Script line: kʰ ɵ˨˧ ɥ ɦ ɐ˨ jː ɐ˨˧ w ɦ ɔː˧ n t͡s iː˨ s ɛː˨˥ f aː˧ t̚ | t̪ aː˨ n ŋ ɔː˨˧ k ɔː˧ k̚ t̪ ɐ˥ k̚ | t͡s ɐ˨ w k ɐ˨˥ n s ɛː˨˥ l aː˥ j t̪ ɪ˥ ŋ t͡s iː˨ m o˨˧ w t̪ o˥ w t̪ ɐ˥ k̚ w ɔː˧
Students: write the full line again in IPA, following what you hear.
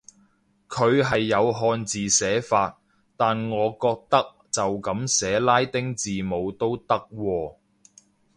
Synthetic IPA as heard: kʰ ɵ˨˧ ɥ ɦ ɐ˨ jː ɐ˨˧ w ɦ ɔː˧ n t͡s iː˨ s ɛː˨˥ f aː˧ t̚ | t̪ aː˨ n ŋ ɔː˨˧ k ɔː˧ k̚ t̪ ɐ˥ k̚ | t͡s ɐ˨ w k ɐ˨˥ m s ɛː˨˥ l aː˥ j t̪ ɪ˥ ŋ t͡s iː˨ m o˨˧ w t̪ o˥ w t̪ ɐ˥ k̚ w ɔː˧